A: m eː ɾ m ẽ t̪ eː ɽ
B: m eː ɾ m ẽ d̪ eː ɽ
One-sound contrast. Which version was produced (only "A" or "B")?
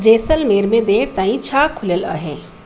B